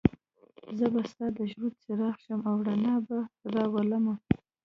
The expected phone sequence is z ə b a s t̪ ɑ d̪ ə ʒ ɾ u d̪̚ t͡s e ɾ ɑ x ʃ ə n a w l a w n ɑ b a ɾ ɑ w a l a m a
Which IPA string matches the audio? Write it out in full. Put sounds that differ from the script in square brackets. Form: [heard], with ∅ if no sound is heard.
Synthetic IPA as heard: z ə b a s t̪ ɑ d̪ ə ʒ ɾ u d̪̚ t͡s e ɾ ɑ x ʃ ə [m] a w [ɽ] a [∅] n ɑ b a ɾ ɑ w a l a m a